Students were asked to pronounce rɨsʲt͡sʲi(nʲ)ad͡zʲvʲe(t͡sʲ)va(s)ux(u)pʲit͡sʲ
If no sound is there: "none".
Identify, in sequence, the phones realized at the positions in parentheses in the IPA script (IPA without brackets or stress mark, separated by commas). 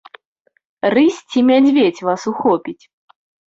mʲ, t͡sʲ, s, ɔ